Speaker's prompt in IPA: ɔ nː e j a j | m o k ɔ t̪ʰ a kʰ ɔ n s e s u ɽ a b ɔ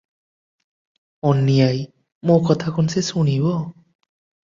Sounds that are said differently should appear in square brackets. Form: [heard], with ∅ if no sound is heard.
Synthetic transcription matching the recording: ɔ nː [i] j a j | m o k ɔ t̪ʰ a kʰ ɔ n s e s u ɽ [i] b ɔ